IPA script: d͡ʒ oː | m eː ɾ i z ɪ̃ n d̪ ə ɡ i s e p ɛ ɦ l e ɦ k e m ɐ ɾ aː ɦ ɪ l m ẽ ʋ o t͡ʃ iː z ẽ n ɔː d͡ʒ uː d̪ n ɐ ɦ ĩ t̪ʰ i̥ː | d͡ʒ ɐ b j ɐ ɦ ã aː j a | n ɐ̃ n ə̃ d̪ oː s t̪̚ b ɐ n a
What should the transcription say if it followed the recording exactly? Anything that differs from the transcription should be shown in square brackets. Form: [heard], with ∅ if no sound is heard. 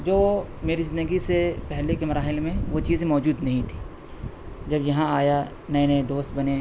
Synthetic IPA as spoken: d͡ʒ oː | m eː ɾ i z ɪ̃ n d̪ ə ɡ i s e p ɛ ɦ l e [∅] k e m ɐ ɾ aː ɦ ɪ l m ẽ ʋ o t͡ʃ iː z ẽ [m] ɔː d͡ʒ uː d̪ n ɐ ɦ ĩ t̪ʰ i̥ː | d͡ʒ ɐ b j ɐ ɦ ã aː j a | n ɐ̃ n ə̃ d̪ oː s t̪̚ b ɐ n [e]

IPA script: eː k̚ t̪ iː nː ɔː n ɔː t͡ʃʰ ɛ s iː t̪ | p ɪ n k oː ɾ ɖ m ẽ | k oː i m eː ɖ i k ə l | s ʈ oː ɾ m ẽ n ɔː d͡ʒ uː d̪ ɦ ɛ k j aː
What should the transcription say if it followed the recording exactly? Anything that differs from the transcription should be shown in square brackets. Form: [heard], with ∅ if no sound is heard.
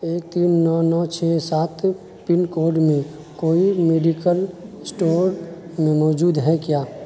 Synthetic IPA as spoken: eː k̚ t̪ iː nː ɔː n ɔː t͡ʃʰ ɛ s [aː] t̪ | p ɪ n k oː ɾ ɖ m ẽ | k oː i m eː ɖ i k ə l | s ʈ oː ɾ m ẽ [m] ɔː d͡ʒ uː d̪ ɦ ɛ k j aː

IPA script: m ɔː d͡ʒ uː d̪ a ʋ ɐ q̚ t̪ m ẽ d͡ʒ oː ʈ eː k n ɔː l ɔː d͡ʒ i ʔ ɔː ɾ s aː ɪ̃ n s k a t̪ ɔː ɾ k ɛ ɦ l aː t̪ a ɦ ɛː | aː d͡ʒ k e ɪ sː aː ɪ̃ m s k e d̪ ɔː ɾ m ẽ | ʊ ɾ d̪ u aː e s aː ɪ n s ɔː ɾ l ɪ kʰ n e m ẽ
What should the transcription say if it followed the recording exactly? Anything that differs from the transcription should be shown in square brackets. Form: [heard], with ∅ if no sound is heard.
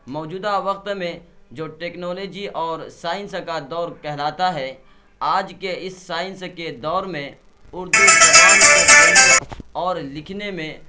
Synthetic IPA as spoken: m ɔː d͡ʒ uː d̪ a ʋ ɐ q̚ t̪ m ẽ d͡ʒ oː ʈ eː k n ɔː l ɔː d͡ʒ i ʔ ɔː ɾ s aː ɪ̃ n s k a [d̪] ɔː ɾ k ɛ ɦ l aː t̪ a ɦ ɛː | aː d͡ʒ k e ɪ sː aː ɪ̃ [n] s k e d̪ ɔː ɾ m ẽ | ʊ ɾ d̪ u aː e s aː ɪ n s ɔː ɾ l ɪ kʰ n e m ẽ

